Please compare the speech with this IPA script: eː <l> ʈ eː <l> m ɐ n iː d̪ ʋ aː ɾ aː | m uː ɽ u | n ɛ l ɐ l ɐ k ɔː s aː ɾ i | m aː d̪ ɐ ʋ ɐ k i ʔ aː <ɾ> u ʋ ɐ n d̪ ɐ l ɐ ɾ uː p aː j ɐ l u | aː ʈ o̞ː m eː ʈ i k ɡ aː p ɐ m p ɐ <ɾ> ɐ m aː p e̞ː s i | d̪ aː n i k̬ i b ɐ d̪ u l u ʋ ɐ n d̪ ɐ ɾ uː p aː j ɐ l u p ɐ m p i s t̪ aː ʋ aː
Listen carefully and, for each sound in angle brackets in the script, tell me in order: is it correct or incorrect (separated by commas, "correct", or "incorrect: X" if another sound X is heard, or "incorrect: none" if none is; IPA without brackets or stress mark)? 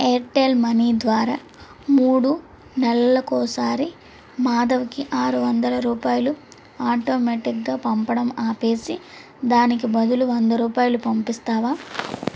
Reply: incorrect: ɾ, correct, correct, incorrect: ɽ